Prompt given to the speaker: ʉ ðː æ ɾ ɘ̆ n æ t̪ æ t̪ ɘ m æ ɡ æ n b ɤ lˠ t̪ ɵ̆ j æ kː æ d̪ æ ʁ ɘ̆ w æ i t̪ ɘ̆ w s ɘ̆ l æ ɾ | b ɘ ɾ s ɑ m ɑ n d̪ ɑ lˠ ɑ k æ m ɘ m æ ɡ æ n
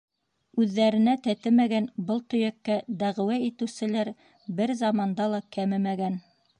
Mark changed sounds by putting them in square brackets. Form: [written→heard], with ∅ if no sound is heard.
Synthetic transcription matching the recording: ʉ ðː æ ɾ ɘ̆ n æ t̪ æ t̪ ɘ m æ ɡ æ n b ɤ lˠ t̪ ɵ̆ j æ kː æ d̪ æ ʁ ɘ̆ w æ i t̪ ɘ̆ w s ɘ̆ l æ ɾ | b ɘ ɾ [s→z] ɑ m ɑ n d̪ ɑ lˠ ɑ k æ m ɘ m æ ɡ æ n

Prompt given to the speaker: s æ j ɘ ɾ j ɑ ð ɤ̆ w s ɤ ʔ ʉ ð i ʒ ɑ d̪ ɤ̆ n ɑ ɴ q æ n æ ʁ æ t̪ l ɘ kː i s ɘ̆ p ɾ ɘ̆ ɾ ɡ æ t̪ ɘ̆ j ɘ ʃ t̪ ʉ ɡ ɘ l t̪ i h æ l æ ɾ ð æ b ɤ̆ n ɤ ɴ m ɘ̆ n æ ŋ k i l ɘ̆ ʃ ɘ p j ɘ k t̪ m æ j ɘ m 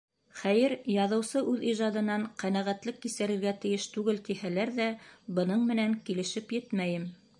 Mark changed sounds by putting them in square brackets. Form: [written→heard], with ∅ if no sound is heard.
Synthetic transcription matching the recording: [s→χ] æ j ɘ ɾ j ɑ ð ɤ̆ w s ɤ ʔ ʉ ð i ʒ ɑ d̪ ɤ̆ n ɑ ɴ q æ n æ ʁ æ t̪ l ɘ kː i s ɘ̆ [p→∅] ɾ ɘ̆ ɾ ɡ æ t̪ ɘ̆ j ɘ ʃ t̪ ʉ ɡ ɘ l t̪ i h æ l æ ɾ ð æ b ɤ̆ n ɤ ɴ m ɘ̆ n æ ŋ k i l ɘ̆ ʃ ɘ p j ɘ [k→∅] t̪ m æ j ɘ m

